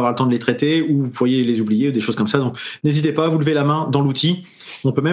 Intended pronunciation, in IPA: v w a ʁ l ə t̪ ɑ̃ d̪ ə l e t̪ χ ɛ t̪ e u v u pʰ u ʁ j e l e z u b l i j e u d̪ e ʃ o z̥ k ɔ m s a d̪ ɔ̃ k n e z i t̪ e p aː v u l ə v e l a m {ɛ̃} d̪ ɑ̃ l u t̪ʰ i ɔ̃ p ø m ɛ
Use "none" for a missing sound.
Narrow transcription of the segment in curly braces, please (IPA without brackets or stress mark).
ɛ̃